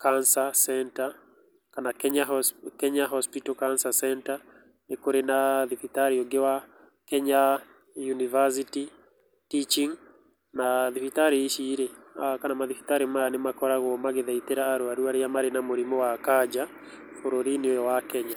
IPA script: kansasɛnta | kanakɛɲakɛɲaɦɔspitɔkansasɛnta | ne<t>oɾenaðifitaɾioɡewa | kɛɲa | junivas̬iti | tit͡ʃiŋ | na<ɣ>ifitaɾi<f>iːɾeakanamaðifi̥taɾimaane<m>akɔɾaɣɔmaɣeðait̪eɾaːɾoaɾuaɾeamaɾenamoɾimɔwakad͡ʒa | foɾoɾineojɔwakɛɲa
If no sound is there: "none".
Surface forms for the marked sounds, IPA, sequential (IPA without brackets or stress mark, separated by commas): k, ð, ʃ, m